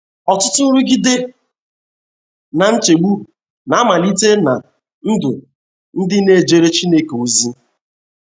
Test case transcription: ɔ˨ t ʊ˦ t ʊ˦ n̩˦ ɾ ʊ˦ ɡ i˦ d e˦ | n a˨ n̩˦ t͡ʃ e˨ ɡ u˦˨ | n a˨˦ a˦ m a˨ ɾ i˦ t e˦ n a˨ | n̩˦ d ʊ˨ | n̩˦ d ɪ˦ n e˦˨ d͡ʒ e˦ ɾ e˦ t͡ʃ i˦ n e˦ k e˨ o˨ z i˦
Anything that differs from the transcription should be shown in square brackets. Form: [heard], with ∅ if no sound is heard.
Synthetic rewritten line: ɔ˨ t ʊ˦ t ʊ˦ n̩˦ ɾ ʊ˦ ɡ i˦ d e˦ | n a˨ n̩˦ t͡ʃ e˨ [ɡ͡b] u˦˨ | n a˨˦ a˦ m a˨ [l] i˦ t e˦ n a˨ | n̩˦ d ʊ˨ | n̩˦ d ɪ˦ n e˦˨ d͡ʒ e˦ ɾ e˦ t͡ʃ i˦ n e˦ k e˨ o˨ z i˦